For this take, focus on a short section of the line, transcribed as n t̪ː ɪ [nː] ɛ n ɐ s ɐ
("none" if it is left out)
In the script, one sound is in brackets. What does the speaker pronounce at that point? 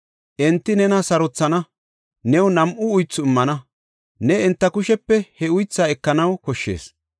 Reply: n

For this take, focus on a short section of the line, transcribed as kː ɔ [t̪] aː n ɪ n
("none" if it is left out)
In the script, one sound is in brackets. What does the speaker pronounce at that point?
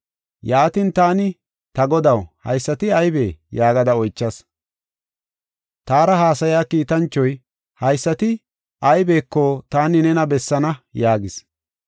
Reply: t̪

